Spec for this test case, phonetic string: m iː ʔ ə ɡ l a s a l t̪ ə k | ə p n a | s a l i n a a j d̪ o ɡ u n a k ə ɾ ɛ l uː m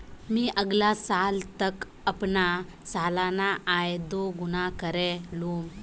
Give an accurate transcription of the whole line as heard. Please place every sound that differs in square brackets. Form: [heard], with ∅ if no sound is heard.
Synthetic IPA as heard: m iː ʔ ə ɡ l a s a l t̪ ə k | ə p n a | s a l [a] n a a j d̪ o ɡ u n a k ə ɾ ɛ l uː m